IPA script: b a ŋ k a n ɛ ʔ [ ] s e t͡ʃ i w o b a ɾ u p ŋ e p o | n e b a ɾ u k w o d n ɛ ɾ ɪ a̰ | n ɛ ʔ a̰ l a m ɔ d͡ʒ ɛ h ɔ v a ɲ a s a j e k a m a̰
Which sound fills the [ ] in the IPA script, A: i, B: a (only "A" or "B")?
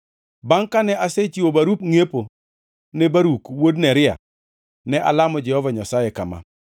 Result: B